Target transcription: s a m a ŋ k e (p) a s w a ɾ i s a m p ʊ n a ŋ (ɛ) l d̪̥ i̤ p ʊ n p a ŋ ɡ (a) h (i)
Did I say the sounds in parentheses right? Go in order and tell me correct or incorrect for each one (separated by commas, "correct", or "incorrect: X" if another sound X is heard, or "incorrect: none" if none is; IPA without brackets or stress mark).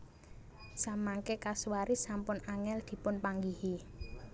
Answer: incorrect: k, correct, incorrect: i, correct